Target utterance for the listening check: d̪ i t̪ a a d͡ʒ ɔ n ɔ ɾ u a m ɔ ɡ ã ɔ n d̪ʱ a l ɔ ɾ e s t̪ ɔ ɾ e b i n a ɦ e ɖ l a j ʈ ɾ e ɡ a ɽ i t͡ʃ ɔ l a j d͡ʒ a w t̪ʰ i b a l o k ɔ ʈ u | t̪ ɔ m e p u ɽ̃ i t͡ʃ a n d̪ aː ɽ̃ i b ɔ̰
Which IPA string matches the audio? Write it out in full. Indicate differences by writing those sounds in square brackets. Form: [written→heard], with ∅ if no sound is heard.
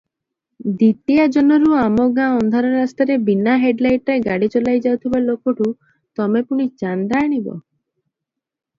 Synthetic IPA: d̪ i t̪ [a→i] a d͡ʒ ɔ n ɔ ɾ u a m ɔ ɡ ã ɔ n d̪ʱ a [l→ɾ] ɔ ɾ [e→a] s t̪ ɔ ɾ e b i n a ɦ e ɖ l a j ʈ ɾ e ɡ a ɽ i t͡ʃ ɔ l a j d͡ʒ a w t̪ʰ i b a l o k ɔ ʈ u | t̪ ɔ m e p u ɽ̃ i t͡ʃ a n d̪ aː ɽ̃ i b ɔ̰